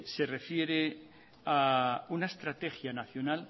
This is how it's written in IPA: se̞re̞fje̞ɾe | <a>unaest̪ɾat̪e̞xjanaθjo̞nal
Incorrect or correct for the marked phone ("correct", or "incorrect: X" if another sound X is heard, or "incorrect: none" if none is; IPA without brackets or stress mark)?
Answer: correct